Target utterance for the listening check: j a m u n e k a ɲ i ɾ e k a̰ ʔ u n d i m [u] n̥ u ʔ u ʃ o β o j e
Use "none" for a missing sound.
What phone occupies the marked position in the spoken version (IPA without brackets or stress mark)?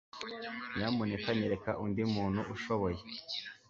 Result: uː